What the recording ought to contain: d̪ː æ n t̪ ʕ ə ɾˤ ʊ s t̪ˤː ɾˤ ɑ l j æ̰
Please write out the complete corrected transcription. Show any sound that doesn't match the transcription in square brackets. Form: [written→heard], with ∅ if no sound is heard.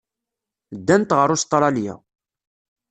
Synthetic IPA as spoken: d̪ː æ n t̪ [ʕ→ʁ] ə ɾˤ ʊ s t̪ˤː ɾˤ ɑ l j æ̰

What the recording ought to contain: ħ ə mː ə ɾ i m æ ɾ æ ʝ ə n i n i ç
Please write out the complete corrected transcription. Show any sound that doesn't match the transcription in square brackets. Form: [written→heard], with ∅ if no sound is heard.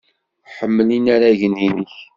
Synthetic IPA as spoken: ħ ə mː ə [ɾ→l] i [m→n] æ ɾ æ ʝ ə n i n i ç

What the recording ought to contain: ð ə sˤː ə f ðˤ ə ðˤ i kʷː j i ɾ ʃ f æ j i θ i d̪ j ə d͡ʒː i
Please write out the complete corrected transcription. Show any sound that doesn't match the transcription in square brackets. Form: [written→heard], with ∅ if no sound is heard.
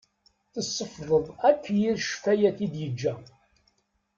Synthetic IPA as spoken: [ð→θ] ə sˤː ə f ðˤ ə ðˤ [i→æ] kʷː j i ɾ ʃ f æ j [i→æ] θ i d̪ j ə d͡ʒː [i→æ]

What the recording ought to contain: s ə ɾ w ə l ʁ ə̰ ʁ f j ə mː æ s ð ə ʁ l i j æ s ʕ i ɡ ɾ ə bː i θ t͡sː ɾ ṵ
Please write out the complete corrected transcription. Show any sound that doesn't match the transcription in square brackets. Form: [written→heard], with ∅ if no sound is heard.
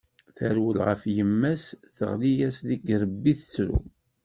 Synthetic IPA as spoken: [s→θ] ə ɾ w ə l ʁ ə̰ [ʁ→∅] f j ə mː æ s [ð→θ] ə ʁ l i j æ s [ʕ→ð] i ɡ ɾ ə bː i θ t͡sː ɾ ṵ

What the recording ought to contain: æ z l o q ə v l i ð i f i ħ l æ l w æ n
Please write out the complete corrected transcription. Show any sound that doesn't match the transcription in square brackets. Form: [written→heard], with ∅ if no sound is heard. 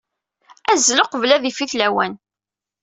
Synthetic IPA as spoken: æ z l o q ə v l [i→æ] ð i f i [ħ→θ] l æ [l→∅] w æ n

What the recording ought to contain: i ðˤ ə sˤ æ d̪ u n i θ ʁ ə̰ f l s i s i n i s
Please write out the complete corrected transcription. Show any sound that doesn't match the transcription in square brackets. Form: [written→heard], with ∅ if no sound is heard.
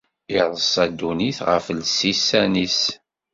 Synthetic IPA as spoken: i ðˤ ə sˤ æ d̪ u n i θ ʁ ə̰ f l s i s [i→æ] n i s

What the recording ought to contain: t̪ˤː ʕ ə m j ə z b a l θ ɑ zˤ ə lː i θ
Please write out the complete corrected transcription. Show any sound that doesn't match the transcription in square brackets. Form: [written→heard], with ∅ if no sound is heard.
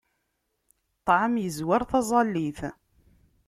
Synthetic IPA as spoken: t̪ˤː ʕ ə m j ə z [b→w] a [l→ɾ] θ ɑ zˤ [ə→ɑ] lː i θ

